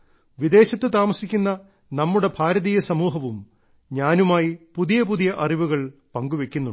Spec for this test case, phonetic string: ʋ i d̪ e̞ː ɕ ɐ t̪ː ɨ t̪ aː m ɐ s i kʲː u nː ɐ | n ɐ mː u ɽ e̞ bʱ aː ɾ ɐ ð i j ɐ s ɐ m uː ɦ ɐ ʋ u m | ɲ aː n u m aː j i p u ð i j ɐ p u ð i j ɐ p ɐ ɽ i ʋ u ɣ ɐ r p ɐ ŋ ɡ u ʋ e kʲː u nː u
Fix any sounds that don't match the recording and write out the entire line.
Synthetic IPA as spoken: ʋ i d̪ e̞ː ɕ ɐ t̪ː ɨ t̪ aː m ɐ s i kʲː u nː ɐ | n ɐ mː u ɽ e̞ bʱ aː ɾ ɐ ð i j ɐ s ɐ m uː ɦ ɐ ʋ u m | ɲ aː n u m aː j i p u ð i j ɐ p u ð i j ɐ ʔ ɐ r i ʋ u ɣ ɐ ɭ p ɐ ŋ ɡ u ʋ e kʲː u nː u

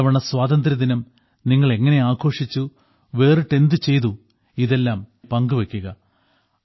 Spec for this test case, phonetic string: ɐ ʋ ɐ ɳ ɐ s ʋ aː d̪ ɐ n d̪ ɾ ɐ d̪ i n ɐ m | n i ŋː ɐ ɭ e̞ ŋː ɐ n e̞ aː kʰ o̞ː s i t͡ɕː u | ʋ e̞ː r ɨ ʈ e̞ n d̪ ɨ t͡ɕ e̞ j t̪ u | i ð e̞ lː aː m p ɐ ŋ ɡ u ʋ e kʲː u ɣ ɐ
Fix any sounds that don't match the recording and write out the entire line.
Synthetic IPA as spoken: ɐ ʋ ɐ ɳ ɐ s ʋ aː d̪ ɐ n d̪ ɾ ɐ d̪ i n ɐ m | n i ŋː ɐ ɭ e̞ ŋː ɐ n e̞ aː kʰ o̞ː ʂ i t͡ɕː u | ʋ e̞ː r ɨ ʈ e̞ n d̪ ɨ t͡ɕ e̞ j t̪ u | i ð e̞ lː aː m p ɐ ŋ ɡ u ʋ e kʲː u ɣ ɐ

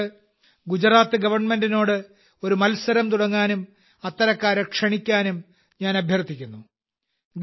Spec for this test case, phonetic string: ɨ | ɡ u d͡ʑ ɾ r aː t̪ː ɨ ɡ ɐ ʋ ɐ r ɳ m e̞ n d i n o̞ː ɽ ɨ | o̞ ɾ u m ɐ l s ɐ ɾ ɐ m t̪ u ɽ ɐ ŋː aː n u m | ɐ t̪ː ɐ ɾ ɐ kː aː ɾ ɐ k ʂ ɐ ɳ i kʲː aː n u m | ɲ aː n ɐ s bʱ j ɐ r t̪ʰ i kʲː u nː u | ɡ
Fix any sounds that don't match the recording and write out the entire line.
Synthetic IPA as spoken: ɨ | ɡ u d͡ʑ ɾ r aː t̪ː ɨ ɡ ɐ ʋ ɐ r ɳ m e̞ n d i n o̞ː ɽ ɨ | o̞ ɾ u m ɐ l s ɐ ɾ ɐ m t̪ u ɽ ɐ ŋː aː n u m | ɐ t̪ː ɐ ɾ ɐ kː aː ɾ ɐ k ʂ ɐ ɳ i kʲː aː n u m | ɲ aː n ɐ bʱ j ɐ r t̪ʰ i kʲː u nː u | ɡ

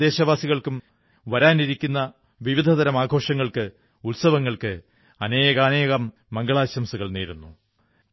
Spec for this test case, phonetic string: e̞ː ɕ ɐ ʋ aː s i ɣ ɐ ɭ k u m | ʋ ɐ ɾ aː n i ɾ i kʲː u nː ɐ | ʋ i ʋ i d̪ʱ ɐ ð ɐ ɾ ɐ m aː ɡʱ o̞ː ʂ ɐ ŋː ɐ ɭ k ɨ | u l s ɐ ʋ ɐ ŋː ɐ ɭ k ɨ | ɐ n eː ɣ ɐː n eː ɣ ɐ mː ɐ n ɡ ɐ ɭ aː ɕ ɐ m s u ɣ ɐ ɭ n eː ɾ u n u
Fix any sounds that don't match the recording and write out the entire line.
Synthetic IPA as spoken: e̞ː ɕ ɐ ʋ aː s i ɣ ɐ ɭ k u m | ʋ ɐ ɾ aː n i ɾ i kʲː u nː ɐ | ʋ i ʋ i d̪ʱ ɐ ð ɐ ɾ ɐ m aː ɡʱ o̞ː ʂ ɐ ŋː ɐ ɭ k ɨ | u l s ɐ ʋ ɐ ŋː ɐ ɭ k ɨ | ɐ n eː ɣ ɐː n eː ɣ ɐ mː ɐ ŋ ɡ ɐ ɭ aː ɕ ɐ m s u ɣ ɐ ɭ n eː ɾ u nː u

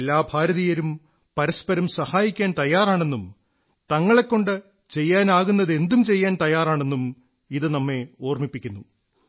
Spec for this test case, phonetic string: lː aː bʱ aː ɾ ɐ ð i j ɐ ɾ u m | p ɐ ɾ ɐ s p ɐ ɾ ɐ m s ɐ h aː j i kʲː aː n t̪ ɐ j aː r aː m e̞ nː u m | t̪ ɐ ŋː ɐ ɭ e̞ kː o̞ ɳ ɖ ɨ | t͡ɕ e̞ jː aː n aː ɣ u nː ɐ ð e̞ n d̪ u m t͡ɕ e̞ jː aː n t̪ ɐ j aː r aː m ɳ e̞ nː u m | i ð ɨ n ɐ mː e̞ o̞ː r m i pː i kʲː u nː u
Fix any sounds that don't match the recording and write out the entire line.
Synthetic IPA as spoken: lː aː bʱ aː ɾ ɐ ð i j ɐ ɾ u m | p ɐ ɾ ɐ s p ɐ ɾ ɐ m s ɐ h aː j i kʲː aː n t̪ ɐ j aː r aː ɳ e̞ nː u m | t̪ ɐ ŋː ɐ ɭ e̞ kː o̞ ɳ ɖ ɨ | t͡ɕ e̞ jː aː n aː ɣ u nː ɐ ð e̞ n d̪ u m t͡ɕ e̞ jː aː n t̪ ɐ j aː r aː ɳ e̞ nː u m | i ð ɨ n ɐ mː e̞ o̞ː r m i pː i kʲː u nː u

